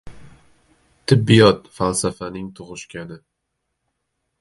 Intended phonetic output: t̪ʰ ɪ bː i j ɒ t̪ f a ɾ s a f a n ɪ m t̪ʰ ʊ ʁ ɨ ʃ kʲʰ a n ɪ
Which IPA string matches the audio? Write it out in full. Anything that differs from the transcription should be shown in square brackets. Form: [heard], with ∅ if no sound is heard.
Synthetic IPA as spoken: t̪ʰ ɪ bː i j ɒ t̪ f a [l] s a f a n ɪ [ŋ] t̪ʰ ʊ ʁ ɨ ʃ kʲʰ a n ɪ